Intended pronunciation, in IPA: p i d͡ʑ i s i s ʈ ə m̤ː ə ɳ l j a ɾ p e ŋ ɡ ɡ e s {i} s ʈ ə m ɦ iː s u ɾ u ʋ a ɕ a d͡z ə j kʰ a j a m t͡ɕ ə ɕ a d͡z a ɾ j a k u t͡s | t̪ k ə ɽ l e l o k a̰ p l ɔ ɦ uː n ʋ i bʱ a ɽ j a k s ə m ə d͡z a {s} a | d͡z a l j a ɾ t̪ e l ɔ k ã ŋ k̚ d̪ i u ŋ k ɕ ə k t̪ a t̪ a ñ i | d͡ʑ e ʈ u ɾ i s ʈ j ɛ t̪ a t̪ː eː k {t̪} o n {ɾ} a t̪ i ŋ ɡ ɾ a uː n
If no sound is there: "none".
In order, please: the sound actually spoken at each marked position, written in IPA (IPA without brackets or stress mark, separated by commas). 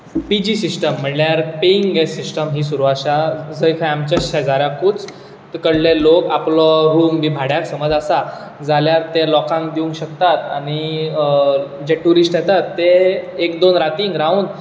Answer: i, s, d̪, ɾ